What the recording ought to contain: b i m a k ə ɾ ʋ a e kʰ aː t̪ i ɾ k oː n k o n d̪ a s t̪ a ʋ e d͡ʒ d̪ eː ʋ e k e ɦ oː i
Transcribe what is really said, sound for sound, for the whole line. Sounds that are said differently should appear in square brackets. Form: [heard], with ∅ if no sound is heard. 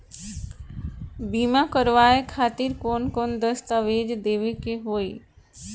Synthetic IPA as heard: b i m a k ə ɾ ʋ a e kʰ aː t̪ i ɾ k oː n k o n d̪ [ə] s t̪ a ʋ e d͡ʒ d̪ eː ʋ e k e ɦ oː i